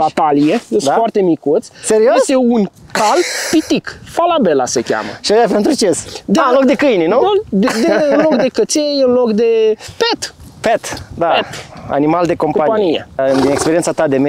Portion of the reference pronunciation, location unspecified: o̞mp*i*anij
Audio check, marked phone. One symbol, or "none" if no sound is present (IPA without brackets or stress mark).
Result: a